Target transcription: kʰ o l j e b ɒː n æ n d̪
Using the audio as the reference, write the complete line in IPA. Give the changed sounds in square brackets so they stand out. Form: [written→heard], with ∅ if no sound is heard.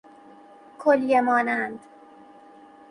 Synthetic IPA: kʰ o l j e [b→m] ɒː n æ n d̪